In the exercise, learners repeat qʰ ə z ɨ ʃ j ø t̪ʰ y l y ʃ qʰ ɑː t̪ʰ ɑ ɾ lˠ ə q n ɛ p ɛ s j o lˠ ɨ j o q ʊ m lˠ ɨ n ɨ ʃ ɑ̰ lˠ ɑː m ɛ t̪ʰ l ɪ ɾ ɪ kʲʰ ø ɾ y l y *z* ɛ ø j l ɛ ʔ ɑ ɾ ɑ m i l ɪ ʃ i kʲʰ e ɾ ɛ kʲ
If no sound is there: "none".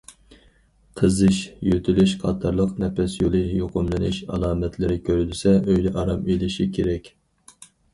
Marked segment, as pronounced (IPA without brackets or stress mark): s